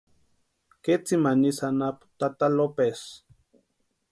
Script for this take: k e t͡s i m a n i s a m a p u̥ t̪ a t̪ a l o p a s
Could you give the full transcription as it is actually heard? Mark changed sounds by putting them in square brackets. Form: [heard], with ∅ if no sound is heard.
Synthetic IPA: k e t͡s i m a n i s a [n] a p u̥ t̪ a t̪ a l o p [e] s